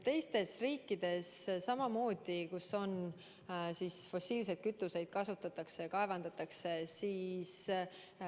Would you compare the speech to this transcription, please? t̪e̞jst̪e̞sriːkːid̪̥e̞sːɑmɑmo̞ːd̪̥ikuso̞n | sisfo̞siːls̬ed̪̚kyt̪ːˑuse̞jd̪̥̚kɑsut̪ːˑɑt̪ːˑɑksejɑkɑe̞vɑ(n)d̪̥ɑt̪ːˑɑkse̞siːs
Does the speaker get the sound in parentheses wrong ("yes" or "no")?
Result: no